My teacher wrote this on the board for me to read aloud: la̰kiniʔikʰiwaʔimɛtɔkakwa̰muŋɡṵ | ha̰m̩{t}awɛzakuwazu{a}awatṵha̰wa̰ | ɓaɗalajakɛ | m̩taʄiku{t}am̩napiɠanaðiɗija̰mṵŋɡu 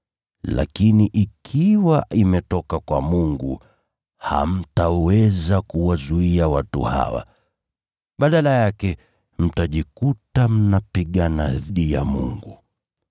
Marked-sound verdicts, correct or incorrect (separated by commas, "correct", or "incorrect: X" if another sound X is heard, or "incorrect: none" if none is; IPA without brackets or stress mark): correct, incorrect: i, correct